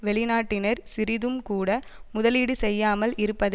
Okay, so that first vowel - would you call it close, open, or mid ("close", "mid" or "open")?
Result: mid